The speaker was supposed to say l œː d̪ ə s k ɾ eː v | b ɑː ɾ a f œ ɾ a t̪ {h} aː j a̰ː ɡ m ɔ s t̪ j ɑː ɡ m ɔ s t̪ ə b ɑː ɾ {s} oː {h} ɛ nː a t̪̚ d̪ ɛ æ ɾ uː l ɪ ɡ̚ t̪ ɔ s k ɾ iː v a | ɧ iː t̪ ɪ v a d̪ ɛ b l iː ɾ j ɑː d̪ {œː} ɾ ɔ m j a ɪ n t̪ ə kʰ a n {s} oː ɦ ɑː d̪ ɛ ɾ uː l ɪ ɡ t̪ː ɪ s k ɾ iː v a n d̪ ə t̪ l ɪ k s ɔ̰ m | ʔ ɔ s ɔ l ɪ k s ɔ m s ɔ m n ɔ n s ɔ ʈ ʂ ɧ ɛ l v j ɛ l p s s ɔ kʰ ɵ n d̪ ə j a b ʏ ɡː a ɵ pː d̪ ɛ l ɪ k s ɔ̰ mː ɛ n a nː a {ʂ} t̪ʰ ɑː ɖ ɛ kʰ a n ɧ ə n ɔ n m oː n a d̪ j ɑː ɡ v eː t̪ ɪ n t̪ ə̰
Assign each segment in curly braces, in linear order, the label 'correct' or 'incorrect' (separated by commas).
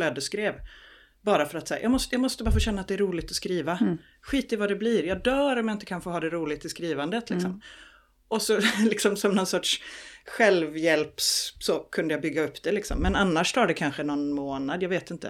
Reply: incorrect, incorrect, incorrect, correct, incorrect, correct